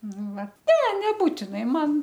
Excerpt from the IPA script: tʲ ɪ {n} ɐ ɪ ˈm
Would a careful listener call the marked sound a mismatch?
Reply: no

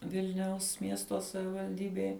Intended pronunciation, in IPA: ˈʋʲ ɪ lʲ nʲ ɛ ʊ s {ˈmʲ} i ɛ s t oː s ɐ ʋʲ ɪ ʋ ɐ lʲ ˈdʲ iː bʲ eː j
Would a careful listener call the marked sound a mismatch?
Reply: no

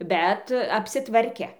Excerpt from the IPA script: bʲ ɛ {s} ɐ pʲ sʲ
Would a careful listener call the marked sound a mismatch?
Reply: yes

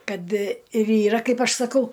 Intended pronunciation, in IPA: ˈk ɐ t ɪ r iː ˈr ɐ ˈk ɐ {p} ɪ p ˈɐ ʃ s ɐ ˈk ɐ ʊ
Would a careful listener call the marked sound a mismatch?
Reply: yes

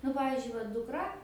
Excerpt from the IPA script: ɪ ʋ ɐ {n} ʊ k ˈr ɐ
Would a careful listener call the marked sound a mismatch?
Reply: yes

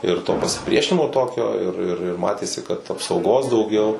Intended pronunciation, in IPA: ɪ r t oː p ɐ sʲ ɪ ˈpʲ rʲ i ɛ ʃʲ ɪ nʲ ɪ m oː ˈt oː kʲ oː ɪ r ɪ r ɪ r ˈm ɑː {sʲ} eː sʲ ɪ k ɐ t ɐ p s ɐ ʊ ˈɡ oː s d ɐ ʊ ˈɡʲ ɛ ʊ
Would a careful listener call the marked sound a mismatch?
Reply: yes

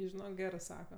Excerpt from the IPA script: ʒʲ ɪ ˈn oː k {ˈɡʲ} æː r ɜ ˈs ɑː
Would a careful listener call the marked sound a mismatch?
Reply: no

